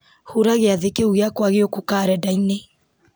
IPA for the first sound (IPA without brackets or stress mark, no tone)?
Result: h